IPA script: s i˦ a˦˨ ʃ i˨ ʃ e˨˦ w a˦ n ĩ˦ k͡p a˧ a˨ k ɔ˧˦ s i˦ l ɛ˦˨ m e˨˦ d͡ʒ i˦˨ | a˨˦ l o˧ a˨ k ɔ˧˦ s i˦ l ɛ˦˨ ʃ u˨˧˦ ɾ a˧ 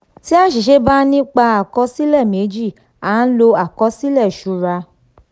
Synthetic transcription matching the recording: t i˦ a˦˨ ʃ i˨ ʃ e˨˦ b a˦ n ĩ˦ k͡p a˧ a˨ k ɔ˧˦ s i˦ l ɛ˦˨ m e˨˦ d͡ʒ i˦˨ | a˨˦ l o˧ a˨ k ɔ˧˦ s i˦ l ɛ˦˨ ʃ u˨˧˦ ɾ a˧